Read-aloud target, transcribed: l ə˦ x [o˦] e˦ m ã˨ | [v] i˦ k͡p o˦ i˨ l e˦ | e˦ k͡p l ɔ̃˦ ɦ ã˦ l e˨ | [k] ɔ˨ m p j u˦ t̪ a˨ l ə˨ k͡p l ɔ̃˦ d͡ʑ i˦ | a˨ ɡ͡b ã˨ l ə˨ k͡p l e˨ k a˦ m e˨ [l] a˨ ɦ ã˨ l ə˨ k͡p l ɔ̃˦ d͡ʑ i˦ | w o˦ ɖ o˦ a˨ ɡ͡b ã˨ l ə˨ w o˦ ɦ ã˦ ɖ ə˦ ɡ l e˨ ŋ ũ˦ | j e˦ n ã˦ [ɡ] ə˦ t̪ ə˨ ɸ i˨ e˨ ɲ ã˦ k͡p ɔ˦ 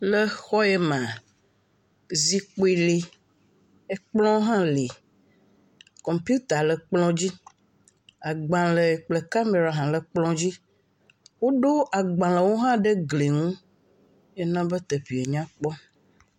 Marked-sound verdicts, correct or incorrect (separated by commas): incorrect, incorrect, correct, incorrect, incorrect